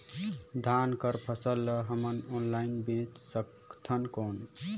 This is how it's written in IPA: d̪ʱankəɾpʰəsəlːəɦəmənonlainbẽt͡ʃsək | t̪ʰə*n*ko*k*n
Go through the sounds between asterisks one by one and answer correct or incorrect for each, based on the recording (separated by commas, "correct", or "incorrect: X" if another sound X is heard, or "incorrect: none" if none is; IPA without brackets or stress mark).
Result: correct, incorrect: none